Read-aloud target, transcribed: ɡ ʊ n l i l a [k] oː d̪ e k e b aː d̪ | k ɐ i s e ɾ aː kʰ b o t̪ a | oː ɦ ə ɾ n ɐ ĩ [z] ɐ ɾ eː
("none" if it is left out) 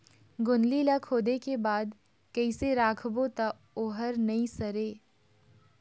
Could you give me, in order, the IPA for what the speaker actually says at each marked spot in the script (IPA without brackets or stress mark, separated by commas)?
kʰ, s